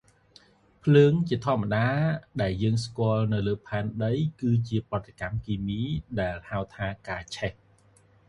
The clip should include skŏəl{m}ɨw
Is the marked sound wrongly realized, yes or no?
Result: yes